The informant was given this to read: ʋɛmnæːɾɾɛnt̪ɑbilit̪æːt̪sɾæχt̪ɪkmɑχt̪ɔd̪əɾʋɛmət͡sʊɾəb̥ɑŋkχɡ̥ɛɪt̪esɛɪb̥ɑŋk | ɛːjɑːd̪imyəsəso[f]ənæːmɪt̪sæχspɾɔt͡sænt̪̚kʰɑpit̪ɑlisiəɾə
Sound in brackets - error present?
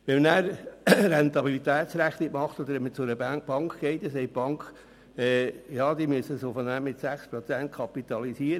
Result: no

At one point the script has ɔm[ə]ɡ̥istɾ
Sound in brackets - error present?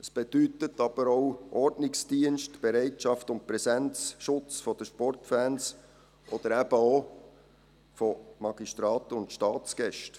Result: yes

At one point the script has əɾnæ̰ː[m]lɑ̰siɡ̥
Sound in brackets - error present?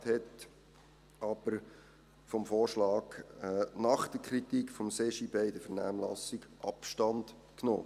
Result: no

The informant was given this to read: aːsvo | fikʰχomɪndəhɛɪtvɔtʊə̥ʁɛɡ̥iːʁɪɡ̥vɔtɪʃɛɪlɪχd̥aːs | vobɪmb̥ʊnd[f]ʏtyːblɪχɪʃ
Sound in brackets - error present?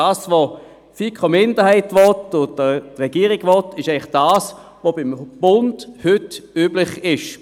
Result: yes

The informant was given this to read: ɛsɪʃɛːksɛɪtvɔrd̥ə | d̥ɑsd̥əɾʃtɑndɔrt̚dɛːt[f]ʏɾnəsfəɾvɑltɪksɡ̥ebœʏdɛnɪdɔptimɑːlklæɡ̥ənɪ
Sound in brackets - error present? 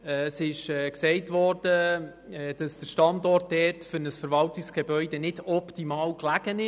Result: no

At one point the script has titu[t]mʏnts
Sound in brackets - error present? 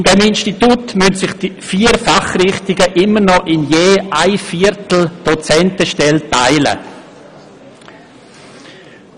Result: no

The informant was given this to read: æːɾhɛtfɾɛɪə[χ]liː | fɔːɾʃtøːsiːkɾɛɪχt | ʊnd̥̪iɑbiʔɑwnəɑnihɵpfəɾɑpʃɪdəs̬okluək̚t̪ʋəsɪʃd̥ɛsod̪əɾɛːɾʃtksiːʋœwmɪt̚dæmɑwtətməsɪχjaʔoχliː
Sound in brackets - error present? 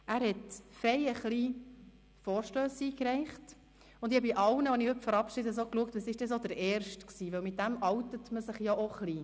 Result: no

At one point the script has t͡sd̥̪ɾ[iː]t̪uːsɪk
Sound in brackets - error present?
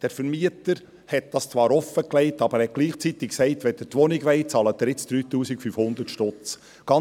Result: yes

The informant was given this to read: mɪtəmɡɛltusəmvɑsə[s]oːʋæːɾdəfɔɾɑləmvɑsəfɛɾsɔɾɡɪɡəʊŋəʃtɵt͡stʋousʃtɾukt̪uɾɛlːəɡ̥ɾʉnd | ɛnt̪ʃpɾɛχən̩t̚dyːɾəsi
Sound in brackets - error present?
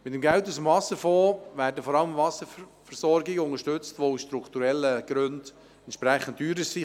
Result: yes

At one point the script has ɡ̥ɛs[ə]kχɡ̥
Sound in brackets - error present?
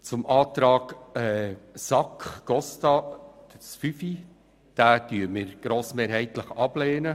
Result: yes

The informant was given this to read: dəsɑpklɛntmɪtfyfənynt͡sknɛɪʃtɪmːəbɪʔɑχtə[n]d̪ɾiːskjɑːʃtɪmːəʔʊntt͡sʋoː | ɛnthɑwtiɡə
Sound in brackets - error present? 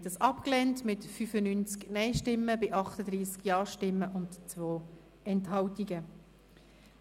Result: yes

